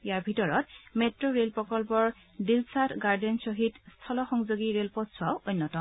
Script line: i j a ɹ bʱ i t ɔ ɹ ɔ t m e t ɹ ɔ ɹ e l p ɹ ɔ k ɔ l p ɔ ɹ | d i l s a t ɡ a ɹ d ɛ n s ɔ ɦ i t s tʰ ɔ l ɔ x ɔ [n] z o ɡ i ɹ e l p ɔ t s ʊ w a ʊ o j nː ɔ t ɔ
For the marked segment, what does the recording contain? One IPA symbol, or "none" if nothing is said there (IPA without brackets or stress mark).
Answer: ŋ